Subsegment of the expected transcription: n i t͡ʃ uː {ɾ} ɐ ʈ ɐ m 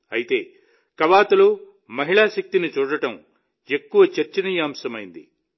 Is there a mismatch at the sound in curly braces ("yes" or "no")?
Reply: yes